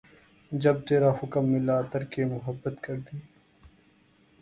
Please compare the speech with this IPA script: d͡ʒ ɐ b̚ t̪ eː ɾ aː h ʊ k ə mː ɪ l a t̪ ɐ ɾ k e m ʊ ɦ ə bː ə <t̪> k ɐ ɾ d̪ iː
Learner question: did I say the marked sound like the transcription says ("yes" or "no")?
yes